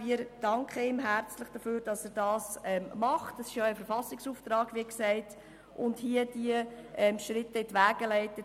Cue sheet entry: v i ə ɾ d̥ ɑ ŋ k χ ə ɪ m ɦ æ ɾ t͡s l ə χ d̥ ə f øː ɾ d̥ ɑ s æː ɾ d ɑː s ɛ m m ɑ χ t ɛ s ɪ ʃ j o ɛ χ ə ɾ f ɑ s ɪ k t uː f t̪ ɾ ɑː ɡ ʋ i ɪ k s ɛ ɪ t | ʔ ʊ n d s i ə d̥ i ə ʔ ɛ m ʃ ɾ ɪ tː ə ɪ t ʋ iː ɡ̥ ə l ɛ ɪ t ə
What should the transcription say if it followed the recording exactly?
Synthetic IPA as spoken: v i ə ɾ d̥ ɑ ŋ k χ ə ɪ m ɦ æ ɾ t͡s l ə χ d̥ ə f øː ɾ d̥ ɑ s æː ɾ d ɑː s ɛ m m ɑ χ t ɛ s ɪ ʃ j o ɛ f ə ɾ f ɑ s ɪ k s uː f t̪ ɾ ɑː ɡ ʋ i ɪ k s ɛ ɪ t | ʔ ʊ n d h i ə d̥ i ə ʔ ɛ m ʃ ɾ ɪ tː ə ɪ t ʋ æː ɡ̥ ə l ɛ ɪ t ə